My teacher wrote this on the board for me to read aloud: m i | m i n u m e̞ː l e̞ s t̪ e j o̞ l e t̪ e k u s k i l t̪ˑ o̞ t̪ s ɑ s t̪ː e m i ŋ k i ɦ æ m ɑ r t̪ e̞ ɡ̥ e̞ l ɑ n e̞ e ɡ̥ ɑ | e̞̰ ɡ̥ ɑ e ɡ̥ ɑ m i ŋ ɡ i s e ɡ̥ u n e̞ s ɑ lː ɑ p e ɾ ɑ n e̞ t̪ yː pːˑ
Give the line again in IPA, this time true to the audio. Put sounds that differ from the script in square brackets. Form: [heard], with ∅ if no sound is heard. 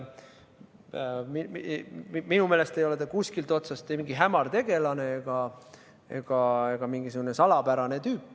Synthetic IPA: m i | m i n u m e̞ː l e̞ s t̪ e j o̞ l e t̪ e k u s k i l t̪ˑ o̞ t̪ s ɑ s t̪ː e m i ŋ [ɡ] i ɦ æ m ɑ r t̪ e̞ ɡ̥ e̞ l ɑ n e̞ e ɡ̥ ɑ | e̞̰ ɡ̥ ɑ e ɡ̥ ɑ m i ŋ ɡ i s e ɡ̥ u n e̞ s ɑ [l] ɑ p [æ] ɾ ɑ n e̞ t̪ yː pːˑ

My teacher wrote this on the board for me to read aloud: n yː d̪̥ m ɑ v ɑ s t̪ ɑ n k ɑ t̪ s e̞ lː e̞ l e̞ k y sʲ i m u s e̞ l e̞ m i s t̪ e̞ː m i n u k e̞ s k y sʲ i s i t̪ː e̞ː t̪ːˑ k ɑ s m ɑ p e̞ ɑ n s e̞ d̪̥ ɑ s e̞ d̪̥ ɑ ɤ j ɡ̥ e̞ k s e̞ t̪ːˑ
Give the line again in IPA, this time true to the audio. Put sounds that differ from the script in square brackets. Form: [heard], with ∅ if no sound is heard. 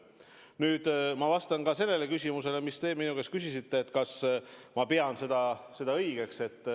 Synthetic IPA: n yː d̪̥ m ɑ v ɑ s t̪ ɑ n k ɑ [∅] s e̞ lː e̞ l e̞ k y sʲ i m u s e̞ l e̞ m i s t̪ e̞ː m i n u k e̞ s k y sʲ i s i t̪ː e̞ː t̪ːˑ k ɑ s m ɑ p e̞ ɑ n s e̞ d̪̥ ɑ s e̞ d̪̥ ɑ ɤ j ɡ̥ e̞ k s e̞ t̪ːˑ

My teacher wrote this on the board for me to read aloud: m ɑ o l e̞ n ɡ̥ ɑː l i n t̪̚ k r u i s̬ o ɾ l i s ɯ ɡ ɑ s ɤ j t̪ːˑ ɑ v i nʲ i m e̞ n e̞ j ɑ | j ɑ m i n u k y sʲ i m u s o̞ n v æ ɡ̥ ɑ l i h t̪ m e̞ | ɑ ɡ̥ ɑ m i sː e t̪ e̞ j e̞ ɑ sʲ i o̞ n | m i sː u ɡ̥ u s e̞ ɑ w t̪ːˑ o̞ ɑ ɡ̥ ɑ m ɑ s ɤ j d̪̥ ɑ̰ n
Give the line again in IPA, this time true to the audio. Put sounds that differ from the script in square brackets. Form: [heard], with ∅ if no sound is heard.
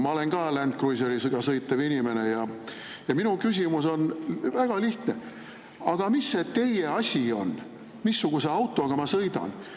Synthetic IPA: m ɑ o l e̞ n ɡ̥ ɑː l [æ] n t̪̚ k r u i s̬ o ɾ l i s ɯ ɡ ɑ s ɤ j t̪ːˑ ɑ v i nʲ i m e̞ n e̞ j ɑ | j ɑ m i n u k y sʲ i m u s o̞ n v æ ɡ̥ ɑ l i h t̪ [n] e̞ | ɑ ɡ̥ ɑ m i sː e t̪ e̞ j e̞ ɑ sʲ i o̞ n | m i sː u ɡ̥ u s e̞ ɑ w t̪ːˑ o̞ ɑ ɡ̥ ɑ m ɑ s ɤ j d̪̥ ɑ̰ n

